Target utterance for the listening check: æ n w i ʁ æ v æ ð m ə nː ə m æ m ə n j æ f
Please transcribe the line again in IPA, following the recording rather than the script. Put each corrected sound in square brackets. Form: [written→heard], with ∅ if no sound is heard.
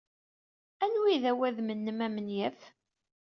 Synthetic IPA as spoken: æ n w i [ʁ→ð] æ [v→w] æ ð m ə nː ə m æ m ə n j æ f